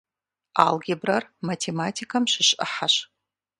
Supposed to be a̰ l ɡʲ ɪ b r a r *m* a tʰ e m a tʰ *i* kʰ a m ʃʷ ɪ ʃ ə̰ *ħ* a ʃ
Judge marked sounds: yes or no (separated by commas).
yes, yes, yes